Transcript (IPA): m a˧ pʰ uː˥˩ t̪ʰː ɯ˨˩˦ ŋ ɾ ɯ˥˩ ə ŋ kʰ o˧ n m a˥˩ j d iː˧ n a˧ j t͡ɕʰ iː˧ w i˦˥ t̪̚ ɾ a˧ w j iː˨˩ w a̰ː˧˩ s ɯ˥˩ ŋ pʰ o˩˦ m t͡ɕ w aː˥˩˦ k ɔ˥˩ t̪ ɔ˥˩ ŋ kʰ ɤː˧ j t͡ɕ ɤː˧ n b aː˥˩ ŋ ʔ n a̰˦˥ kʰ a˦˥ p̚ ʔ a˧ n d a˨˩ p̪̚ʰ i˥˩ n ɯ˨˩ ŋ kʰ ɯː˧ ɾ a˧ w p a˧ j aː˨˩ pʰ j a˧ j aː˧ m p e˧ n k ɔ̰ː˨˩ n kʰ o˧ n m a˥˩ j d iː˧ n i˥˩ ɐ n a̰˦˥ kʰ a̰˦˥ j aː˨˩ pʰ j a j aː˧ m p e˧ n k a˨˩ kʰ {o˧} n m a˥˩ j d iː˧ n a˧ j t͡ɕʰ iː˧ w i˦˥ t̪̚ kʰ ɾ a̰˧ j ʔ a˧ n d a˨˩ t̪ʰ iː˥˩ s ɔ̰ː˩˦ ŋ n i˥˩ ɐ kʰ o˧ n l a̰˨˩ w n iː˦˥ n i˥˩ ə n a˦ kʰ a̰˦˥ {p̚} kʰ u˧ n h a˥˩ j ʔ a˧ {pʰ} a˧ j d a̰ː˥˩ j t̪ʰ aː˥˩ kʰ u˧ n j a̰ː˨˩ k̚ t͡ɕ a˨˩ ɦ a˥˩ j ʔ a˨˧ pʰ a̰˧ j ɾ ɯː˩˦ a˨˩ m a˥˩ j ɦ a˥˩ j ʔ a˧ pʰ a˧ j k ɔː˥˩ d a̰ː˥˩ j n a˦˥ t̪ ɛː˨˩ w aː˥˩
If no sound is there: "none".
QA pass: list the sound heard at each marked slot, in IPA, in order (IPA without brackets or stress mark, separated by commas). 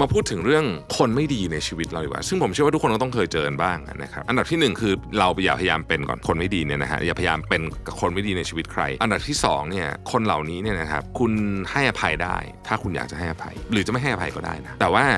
o˧, p̚, pʰ